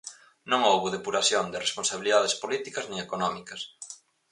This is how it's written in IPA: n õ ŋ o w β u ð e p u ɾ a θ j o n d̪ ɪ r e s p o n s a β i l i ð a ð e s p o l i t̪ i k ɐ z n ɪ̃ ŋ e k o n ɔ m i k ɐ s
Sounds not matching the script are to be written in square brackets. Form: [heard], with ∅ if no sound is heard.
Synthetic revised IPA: n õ ŋ o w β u ð e p u ɾ a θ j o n d̪ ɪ r e s p o n s a β i l i ð a ð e s p o l i t̪ i k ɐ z n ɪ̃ ŋ e k o n ɔ m i k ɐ s